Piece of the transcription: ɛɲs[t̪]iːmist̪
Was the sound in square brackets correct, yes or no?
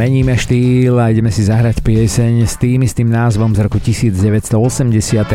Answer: yes